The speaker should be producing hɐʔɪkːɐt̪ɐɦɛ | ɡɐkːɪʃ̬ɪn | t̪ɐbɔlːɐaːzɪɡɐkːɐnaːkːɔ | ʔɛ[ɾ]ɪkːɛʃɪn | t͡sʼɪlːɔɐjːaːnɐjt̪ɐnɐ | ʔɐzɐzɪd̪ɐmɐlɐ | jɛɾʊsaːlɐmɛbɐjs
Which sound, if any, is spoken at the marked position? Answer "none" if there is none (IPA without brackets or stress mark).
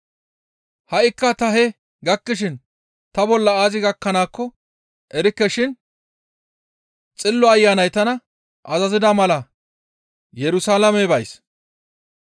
ɾ